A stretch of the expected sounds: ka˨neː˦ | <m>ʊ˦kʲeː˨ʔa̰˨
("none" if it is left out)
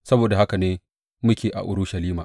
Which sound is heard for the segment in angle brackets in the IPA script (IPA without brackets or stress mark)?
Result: m